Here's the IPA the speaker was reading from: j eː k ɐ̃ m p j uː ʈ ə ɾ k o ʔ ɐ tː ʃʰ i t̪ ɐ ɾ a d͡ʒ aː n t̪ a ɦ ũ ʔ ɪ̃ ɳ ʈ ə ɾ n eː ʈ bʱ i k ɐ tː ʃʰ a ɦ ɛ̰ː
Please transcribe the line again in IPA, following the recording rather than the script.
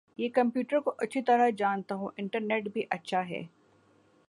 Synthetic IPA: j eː k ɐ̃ m p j uː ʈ ə ɾ k o ʔ ɐ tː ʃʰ i t̪ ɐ ɾ a d͡ʒ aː n t̪ a ɦ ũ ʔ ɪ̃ ɳ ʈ ə ɾ n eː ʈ bʱ i ʔ ɐ tː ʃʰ a ɦ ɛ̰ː